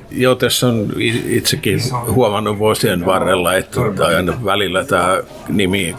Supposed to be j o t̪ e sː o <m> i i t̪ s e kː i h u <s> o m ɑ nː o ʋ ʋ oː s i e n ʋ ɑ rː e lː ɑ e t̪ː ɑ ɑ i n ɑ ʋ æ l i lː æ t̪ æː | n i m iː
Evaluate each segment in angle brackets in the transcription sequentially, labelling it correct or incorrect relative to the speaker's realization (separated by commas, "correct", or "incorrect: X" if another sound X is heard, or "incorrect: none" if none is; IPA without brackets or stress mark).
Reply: incorrect: n, incorrect: none